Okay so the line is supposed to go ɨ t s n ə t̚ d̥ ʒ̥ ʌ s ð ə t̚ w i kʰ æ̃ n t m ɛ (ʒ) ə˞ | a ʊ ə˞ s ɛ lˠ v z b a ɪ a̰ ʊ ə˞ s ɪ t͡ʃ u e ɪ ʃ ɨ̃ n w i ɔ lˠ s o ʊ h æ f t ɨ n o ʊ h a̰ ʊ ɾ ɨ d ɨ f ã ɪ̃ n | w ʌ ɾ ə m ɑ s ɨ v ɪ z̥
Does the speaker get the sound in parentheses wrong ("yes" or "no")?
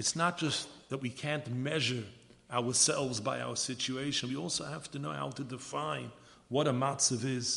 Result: no